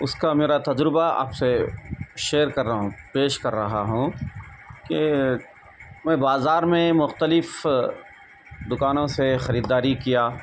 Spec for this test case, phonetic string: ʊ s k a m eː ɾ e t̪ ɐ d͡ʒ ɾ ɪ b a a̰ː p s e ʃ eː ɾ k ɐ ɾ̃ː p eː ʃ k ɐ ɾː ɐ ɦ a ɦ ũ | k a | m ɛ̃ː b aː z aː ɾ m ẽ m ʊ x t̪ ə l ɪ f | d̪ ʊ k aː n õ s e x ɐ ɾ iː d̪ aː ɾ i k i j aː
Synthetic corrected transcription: ʊ s k a m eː ɾ a t̪ ɐ d͡ʒ ɾ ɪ b a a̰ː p s e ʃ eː ɾ k ɐ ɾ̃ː p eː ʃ k ɐ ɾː ɐ ɦ a ɦ ũ | k e | m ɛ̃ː b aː z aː ɾ m ẽ m ʊ x t̪ ə l ɪ f | d̪ ʊ k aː n õ s e x ɐ ɾ iː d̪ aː ɾ i k i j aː